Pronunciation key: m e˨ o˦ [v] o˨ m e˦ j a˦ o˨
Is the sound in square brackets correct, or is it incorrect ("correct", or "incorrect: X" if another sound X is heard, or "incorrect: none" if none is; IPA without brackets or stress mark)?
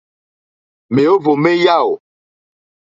correct